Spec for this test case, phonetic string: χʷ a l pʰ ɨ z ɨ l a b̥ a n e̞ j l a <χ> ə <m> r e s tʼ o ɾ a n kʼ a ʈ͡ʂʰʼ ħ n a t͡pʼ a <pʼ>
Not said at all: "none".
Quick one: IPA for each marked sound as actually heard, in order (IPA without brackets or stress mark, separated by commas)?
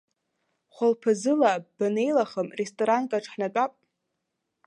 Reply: χ, m, pʼ